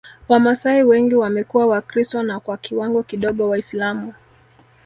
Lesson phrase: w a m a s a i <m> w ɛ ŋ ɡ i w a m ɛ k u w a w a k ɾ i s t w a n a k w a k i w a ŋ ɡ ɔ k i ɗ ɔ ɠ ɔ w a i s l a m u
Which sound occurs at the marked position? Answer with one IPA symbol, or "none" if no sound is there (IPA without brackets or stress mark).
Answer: none